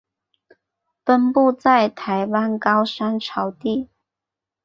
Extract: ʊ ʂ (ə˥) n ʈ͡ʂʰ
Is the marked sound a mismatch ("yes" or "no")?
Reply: yes